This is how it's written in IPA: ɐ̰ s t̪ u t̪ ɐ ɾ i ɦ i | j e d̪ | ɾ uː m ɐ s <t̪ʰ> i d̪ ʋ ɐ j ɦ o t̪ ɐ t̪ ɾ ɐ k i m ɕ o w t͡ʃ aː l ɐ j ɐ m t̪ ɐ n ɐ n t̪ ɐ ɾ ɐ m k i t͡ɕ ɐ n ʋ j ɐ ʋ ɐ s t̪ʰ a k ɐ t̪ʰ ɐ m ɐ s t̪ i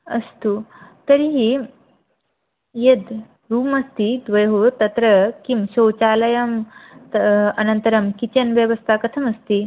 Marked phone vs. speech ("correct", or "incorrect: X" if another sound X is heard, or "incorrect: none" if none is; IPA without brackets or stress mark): incorrect: t̪